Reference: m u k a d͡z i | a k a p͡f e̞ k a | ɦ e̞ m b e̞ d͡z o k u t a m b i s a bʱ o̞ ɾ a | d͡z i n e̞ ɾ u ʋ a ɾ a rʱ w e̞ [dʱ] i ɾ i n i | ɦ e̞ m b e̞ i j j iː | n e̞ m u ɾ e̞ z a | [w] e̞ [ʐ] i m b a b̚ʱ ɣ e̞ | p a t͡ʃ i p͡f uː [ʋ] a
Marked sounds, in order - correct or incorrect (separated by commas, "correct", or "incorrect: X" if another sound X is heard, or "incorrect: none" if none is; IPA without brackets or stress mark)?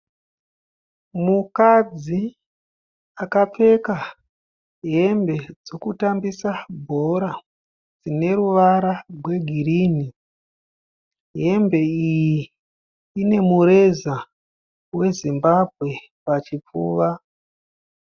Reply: incorrect: ɡʱ, correct, incorrect: z, correct